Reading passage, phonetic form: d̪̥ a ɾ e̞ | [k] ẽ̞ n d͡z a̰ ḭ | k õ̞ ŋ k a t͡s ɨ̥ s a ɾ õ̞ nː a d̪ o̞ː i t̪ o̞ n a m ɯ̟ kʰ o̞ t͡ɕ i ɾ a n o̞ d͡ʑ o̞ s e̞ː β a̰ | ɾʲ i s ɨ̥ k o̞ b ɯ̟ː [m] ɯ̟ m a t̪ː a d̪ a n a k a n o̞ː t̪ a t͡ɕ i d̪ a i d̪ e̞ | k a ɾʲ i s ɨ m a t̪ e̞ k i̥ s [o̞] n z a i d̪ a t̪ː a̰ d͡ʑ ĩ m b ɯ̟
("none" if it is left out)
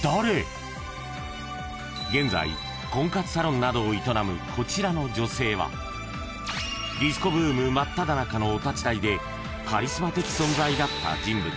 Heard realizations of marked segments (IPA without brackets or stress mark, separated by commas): ɡ, m, õ̞